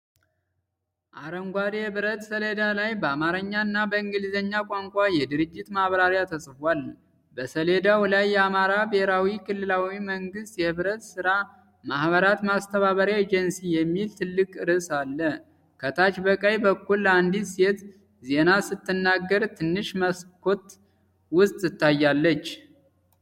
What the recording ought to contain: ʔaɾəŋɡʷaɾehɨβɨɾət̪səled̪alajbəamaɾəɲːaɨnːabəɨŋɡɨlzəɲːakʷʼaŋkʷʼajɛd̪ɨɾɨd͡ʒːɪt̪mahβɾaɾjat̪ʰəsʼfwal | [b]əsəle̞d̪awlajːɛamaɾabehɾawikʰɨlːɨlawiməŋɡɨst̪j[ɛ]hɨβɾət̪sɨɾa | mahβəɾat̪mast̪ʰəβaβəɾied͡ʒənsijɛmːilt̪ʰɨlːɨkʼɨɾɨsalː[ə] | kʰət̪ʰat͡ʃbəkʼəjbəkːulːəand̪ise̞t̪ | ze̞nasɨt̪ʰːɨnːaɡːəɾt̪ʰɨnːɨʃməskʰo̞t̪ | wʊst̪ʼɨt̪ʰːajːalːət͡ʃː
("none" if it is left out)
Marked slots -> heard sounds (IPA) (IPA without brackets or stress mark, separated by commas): b, ɛ, ə